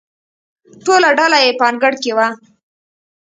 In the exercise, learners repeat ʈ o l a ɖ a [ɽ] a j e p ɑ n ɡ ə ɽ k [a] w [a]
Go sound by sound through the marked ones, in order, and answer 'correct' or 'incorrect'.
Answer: incorrect: l, incorrect: e, correct

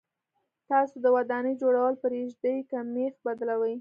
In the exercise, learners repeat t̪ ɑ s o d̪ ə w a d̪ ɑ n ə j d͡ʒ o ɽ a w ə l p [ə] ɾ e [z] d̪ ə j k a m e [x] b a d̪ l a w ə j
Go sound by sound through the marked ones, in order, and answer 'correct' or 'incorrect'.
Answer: correct, incorrect: ʒ, correct

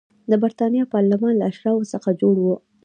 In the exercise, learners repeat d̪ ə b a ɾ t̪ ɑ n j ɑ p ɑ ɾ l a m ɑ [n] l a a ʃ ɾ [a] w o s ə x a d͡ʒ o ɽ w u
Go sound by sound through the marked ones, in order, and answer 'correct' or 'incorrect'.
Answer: correct, incorrect: ɑ

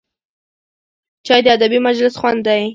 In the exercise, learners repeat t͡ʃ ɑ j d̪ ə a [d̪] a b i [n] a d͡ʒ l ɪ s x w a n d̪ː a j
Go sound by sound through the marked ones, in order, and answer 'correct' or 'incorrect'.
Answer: correct, incorrect: m

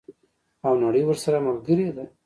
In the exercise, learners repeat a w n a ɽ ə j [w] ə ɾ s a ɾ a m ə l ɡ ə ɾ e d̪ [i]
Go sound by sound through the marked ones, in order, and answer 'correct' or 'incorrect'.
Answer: correct, incorrect: a

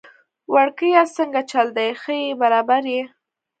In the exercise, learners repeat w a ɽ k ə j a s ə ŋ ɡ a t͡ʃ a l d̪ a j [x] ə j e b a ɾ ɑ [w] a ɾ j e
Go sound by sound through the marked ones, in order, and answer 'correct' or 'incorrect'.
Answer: correct, incorrect: b

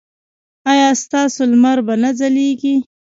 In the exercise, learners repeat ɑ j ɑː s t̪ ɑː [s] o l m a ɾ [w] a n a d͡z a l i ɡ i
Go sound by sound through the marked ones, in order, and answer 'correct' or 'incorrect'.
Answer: correct, incorrect: b

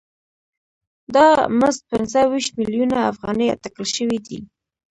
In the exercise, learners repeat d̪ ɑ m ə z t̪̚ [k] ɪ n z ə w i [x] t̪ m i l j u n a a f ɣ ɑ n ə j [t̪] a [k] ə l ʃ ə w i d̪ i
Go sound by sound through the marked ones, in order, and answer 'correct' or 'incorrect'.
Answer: incorrect: p, incorrect: ʃ, correct, correct

